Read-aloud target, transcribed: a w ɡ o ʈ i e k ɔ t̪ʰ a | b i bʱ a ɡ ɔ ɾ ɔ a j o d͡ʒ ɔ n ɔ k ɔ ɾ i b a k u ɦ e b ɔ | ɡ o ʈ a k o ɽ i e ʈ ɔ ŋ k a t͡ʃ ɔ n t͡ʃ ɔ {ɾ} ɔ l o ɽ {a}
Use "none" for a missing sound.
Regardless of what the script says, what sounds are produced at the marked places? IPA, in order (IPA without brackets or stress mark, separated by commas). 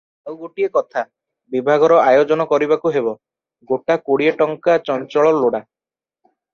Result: ɭ, a